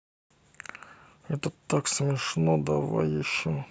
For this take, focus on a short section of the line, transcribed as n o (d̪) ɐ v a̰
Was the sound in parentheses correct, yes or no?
yes